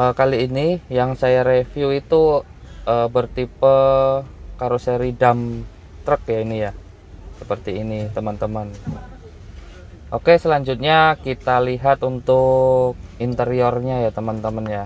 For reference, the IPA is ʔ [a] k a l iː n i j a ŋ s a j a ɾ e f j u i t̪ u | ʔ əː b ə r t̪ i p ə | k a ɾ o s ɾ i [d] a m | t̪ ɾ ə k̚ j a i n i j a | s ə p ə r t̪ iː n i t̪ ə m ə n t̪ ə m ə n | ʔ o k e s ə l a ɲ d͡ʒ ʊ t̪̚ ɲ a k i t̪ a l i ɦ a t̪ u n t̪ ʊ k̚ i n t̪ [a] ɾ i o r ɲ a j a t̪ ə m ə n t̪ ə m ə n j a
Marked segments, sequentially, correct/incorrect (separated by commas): incorrect, correct, incorrect